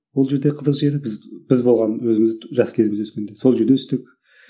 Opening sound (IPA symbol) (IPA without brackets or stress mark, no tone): w